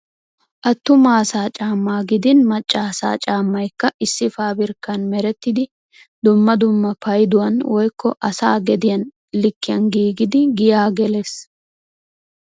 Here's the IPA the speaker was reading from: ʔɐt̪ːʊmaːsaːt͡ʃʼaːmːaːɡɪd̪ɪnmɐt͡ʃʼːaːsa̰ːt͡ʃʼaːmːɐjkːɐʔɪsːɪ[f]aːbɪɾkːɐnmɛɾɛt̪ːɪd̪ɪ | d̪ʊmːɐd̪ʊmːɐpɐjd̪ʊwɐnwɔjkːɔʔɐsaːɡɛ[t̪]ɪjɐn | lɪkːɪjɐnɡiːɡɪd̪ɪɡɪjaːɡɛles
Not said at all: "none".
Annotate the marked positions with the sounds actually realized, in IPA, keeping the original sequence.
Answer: f, d̪

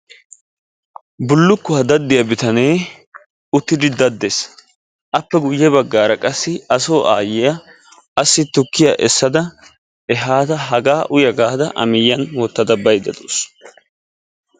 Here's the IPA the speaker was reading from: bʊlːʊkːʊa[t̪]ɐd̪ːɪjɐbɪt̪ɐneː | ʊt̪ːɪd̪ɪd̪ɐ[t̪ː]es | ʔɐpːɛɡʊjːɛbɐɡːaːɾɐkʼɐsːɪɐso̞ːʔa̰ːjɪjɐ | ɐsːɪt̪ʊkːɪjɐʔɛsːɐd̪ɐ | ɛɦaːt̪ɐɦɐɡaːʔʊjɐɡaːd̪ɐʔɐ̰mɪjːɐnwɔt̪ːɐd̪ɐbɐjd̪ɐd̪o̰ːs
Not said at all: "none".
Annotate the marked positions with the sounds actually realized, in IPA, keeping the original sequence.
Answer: d̪, d̪ː

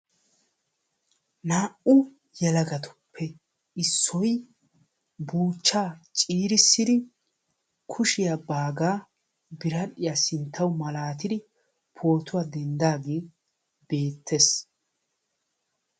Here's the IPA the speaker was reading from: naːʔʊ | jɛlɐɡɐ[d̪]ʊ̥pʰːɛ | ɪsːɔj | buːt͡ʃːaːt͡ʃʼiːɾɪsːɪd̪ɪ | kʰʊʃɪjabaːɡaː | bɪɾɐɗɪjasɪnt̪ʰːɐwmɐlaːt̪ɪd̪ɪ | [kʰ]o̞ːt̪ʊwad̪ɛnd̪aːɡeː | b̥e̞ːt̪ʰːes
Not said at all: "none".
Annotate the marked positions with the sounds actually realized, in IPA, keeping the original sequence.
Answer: t̪, pʰ

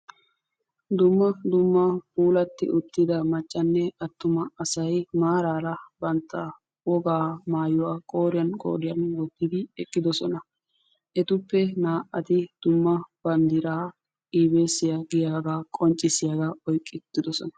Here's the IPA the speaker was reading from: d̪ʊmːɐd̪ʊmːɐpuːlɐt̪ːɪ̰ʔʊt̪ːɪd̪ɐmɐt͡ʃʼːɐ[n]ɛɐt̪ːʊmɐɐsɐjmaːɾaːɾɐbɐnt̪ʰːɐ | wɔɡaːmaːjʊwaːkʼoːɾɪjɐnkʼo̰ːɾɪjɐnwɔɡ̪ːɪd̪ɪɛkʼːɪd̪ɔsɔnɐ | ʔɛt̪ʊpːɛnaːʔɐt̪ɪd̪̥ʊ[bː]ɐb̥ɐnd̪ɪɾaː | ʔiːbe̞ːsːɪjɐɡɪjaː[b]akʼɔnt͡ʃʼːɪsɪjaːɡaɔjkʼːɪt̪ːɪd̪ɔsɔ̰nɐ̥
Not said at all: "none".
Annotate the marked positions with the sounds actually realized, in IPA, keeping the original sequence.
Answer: nː, mː, ɡ

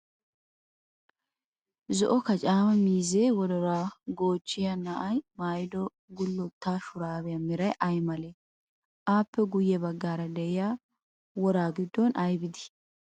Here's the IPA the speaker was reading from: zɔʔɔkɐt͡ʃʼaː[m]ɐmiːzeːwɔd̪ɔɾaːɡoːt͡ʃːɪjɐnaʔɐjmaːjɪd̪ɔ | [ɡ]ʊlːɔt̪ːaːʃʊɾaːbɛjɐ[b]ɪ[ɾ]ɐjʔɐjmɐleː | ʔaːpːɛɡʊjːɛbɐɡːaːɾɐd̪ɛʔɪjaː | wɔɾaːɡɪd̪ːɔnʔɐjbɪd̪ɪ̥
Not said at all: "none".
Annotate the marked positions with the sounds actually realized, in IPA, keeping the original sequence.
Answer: m, ɡ, m, ɾ

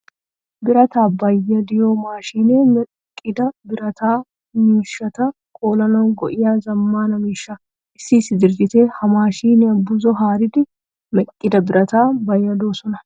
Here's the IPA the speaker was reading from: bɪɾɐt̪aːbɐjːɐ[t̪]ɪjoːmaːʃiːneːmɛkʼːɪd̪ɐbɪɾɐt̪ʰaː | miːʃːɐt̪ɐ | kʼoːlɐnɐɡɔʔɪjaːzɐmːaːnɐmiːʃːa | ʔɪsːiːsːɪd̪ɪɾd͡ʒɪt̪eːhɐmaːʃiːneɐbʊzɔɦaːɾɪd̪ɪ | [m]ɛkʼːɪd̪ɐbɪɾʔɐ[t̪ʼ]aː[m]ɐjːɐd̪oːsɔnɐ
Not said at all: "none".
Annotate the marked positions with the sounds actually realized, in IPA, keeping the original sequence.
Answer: d̪, m, t̪, b

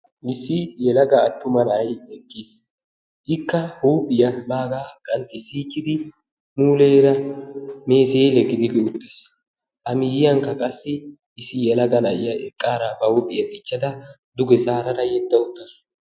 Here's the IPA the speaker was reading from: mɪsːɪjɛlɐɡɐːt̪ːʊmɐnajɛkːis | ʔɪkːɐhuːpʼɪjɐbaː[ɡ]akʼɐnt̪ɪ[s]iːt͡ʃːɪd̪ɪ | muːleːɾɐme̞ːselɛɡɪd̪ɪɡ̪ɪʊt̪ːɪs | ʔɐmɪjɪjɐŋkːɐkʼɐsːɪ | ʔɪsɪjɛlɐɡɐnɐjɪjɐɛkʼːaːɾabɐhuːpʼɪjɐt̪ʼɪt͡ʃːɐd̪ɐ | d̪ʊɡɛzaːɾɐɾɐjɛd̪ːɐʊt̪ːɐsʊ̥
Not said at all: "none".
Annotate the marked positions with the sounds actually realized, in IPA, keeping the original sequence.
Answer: ɡ, s

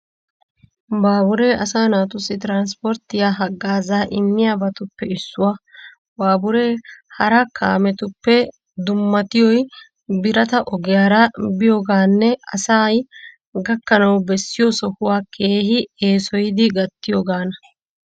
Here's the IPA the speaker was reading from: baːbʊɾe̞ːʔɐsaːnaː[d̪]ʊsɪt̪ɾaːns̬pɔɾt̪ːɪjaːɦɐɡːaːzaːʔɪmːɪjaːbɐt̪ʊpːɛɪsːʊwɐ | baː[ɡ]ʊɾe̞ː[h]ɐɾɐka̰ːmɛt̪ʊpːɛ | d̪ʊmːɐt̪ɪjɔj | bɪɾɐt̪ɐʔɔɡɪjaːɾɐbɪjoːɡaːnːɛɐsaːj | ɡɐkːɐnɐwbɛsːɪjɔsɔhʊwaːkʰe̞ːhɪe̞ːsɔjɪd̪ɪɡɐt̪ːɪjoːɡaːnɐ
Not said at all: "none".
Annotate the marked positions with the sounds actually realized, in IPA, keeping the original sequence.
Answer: t̪, b, h

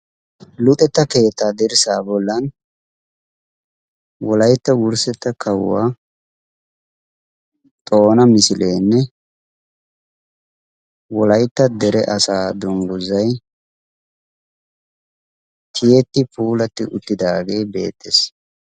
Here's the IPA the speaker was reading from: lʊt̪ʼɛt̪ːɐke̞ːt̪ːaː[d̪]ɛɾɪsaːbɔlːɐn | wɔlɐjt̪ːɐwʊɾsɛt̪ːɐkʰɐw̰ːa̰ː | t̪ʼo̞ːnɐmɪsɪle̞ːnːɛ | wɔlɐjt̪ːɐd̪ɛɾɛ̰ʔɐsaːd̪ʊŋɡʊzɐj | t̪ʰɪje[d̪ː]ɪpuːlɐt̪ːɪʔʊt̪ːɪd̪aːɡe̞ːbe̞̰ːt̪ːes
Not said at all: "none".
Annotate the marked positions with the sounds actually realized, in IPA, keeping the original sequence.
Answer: d̪, t̪ː

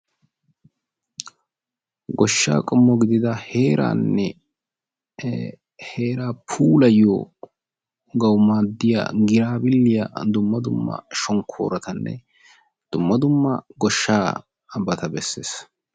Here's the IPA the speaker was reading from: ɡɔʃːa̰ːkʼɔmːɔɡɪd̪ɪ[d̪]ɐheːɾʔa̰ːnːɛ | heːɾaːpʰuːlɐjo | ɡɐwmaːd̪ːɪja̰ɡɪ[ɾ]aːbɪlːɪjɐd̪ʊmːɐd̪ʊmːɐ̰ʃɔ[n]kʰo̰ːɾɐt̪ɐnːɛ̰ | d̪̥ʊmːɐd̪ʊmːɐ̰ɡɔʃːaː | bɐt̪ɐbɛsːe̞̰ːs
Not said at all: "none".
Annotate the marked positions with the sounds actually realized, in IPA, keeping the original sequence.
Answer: d̪, ɾ, ŋ

